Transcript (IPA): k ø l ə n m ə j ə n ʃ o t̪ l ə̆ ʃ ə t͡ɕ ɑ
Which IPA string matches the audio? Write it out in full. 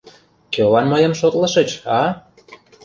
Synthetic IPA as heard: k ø l ɑ n m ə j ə m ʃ o t̪ l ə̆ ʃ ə t͡ɕ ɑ